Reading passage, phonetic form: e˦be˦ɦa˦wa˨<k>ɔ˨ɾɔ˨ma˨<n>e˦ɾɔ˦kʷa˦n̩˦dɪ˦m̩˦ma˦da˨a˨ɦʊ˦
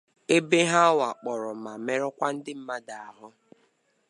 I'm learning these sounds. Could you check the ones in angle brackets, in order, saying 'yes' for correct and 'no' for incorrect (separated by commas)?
no, no